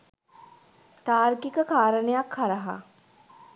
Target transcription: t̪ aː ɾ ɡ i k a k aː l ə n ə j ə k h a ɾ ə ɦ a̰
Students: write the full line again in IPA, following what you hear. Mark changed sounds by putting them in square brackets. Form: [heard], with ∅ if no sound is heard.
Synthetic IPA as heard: t̪ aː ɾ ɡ i k [ə] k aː [ɾ] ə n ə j [a] k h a ɾ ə ɦ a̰